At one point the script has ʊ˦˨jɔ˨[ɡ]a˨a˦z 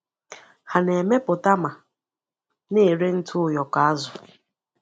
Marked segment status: incorrect: k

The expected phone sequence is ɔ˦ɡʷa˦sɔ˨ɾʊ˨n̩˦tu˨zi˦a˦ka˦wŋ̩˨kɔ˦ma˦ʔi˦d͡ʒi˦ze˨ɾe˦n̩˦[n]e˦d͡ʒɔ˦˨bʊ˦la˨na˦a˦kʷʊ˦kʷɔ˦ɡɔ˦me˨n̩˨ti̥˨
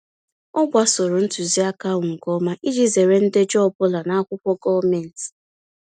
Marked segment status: incorrect: d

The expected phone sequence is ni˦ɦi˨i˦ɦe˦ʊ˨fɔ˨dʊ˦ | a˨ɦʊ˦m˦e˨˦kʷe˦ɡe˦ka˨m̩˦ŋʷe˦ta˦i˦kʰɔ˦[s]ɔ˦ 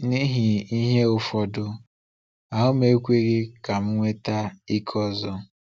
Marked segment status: incorrect: z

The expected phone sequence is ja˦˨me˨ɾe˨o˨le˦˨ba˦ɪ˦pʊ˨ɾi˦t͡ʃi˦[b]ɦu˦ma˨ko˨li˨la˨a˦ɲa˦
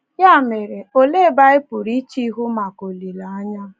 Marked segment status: incorrect: none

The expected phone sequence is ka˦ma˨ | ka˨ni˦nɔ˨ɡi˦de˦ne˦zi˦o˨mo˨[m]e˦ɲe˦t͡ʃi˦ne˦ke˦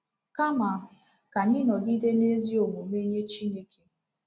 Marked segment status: correct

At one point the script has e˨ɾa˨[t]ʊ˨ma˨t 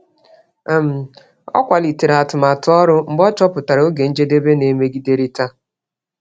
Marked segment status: correct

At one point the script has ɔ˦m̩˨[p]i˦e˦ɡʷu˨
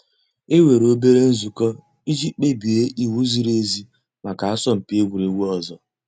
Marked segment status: correct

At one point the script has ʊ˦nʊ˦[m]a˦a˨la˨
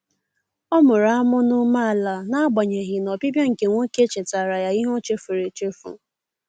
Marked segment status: correct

